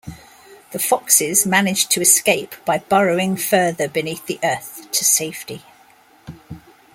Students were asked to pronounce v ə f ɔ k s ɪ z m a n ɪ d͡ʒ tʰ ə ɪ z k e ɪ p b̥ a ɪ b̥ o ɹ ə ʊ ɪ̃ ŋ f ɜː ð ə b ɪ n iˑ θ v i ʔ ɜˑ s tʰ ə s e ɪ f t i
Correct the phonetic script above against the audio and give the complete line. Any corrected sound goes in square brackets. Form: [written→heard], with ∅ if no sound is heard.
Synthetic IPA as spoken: [v→ð] ə f [ɔ→ɒ] k s ɪ z m a n ɪ d͡ʒ tʰ ə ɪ [z→s] k e ɪ p b̥ a ɪ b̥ [o→ɒ] ɹ ə ʊ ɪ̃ ŋ f ɜː ð ə b ɪ n iˑ θ [v→ð] i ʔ ɜˑ [s→θ] tʰ ə s e ɪ f t i